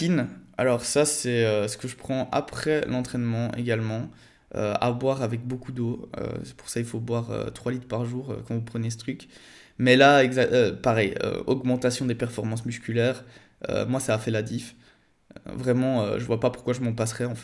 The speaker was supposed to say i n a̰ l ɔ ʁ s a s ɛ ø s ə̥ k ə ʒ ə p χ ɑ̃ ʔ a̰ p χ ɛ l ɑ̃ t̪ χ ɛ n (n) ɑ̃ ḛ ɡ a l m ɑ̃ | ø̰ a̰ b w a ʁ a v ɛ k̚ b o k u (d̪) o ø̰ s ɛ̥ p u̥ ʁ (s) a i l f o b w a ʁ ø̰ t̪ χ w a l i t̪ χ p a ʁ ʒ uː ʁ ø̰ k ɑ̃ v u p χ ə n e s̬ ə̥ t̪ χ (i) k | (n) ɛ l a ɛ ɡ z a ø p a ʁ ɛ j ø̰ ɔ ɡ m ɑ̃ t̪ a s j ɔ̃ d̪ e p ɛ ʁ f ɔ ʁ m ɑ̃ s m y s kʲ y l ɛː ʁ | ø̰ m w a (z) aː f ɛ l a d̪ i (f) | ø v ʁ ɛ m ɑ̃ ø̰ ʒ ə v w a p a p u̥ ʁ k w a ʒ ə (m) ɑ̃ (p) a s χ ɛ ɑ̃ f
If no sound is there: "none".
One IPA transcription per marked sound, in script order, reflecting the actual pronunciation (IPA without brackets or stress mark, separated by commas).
m, d̪, s, y, m, s, f, m, p